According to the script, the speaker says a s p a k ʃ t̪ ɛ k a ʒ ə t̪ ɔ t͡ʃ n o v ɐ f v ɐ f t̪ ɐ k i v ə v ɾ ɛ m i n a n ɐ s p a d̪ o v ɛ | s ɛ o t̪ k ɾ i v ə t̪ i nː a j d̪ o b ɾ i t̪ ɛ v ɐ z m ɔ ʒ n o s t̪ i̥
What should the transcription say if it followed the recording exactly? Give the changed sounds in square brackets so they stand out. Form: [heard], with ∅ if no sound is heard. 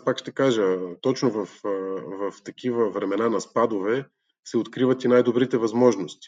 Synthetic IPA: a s p a k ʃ t̪ ɛ k a ʒ ə t̪ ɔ t͡ʃ n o v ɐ f v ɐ f t̪ ɐ k i v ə v ɾ ɛ m [ɛ] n a n ɐ s p a d̪ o v ɛ | s ɛ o t̪ k ɾ i v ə t̪ i [n] a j d̪ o b ɾ i t̪ ɛ v ɐ z m ɔ ʒ n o s t̪ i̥